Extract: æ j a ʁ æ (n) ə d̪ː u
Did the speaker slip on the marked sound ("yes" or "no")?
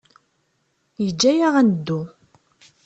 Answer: no